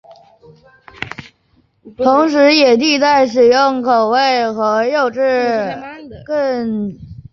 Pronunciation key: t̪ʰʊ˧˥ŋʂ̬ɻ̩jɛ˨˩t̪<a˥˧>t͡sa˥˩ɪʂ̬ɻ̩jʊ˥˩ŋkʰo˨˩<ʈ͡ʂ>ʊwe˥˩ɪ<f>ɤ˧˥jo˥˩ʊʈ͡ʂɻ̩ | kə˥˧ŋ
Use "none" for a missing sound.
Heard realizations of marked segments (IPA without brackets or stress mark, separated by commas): i˥˧, none, x